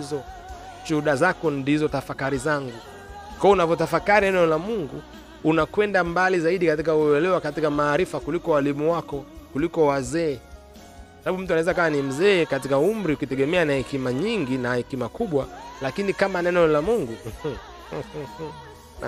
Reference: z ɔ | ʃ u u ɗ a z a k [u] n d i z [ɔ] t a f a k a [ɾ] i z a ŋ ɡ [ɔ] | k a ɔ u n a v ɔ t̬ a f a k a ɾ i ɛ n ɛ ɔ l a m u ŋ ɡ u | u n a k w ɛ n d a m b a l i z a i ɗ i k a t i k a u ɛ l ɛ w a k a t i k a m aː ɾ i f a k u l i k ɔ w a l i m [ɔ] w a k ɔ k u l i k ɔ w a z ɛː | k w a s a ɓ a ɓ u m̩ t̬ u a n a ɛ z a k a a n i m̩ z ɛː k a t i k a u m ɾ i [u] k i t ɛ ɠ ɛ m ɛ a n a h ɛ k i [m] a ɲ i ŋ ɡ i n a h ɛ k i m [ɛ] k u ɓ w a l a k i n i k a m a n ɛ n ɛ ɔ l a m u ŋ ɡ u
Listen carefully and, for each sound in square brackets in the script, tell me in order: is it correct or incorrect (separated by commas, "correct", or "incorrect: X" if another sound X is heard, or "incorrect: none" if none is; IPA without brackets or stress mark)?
incorrect: ɔ, correct, correct, incorrect: u, incorrect: u, correct, correct, incorrect: a